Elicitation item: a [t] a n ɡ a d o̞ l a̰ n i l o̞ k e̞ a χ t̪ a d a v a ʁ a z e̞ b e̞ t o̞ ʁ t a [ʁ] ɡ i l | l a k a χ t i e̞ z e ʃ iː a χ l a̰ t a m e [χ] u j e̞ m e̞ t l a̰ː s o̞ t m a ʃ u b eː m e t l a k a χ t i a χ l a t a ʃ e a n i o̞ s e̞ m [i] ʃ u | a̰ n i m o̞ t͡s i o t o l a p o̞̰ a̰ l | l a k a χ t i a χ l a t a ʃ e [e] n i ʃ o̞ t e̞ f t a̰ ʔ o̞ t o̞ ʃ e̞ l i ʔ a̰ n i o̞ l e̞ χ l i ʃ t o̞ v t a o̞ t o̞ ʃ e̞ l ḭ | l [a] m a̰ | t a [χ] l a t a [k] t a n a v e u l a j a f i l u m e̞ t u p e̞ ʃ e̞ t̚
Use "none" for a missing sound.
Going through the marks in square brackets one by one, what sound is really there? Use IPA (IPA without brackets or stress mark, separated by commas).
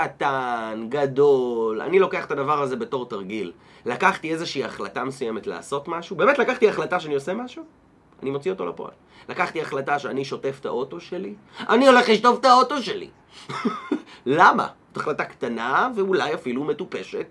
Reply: t, ʁ, s, a, a, a, χ, k